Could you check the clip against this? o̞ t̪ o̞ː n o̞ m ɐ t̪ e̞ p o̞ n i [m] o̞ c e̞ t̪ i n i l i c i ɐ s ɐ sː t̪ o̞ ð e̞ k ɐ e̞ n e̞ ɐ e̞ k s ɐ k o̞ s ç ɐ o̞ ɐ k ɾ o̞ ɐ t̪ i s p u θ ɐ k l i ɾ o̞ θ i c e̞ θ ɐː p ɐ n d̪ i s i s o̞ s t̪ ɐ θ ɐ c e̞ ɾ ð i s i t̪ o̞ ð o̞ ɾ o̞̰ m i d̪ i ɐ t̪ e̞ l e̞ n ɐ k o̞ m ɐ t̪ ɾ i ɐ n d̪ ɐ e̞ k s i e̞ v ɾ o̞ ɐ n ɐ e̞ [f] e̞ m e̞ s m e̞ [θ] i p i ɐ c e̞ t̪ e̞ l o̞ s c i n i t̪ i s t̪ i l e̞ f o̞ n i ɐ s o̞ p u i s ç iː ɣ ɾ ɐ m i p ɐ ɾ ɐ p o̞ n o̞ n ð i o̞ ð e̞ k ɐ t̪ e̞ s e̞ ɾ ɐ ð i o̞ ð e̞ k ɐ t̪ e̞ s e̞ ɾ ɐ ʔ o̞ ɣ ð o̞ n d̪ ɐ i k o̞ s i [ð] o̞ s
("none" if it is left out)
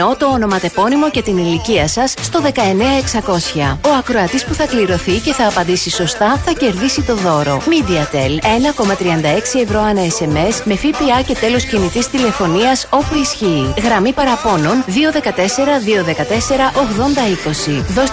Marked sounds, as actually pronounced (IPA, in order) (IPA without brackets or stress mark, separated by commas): m, s, f, ð